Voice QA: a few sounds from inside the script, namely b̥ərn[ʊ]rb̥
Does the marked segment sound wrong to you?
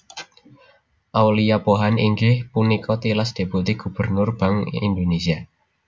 no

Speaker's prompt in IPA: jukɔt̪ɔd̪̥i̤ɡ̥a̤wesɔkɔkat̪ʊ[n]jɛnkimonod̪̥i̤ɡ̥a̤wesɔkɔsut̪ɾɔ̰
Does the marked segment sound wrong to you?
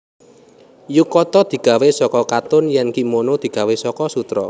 no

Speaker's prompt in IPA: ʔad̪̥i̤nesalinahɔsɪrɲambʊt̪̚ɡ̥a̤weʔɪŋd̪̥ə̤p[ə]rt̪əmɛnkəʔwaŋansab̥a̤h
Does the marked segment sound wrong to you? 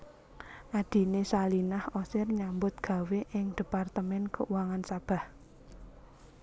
yes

